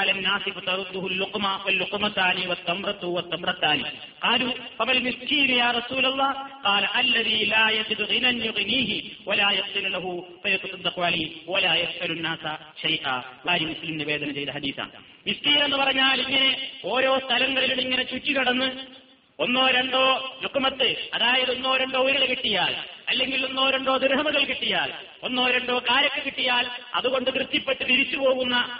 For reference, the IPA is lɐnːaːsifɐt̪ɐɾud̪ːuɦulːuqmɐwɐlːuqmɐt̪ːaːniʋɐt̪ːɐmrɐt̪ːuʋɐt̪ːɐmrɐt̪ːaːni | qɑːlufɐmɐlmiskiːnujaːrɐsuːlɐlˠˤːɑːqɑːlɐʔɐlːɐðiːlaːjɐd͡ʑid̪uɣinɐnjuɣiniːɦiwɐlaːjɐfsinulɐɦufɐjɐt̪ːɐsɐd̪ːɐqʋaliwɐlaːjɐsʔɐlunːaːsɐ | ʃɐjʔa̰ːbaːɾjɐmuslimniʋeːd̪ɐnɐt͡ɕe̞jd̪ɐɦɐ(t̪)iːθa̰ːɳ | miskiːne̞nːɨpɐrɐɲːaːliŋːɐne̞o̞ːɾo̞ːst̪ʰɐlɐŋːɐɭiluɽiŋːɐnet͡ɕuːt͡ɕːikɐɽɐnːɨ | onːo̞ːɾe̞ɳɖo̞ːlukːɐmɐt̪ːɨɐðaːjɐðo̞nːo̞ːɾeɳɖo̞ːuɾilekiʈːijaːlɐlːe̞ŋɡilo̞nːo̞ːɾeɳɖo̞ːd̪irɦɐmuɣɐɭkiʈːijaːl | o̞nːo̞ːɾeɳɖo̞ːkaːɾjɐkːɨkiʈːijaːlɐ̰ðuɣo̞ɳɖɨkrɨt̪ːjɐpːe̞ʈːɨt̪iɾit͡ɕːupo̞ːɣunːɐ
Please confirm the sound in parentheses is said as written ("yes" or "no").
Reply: no